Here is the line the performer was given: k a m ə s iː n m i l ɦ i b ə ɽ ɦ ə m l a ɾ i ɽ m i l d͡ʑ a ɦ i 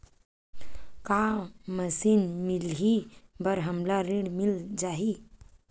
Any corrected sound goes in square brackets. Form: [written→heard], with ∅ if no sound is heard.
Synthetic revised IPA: k a m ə s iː n m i l ɦ i b ə [ɽ→ɾ] ɦ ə m l a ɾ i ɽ m i l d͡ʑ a ɦ i